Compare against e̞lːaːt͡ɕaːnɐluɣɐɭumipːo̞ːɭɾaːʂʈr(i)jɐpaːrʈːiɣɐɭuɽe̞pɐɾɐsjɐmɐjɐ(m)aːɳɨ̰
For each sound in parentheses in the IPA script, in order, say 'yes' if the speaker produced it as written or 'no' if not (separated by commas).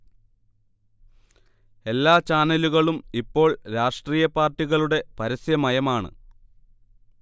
no, yes